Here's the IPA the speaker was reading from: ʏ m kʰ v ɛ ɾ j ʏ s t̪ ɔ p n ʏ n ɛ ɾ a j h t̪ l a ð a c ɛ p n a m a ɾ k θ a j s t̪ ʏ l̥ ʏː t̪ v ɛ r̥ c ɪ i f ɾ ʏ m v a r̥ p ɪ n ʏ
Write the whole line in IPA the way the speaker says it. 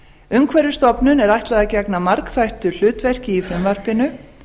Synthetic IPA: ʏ m kʰ v ɛ ɾ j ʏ s t̪ ɔ p n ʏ n ɛ ɾ a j h t̪ l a ð a c ɛ k n a m a ɾ k θ a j h t̪ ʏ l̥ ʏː t̪ v ɛ r̥ c ɪ i f ɾ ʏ m v a r̥ p ɪ n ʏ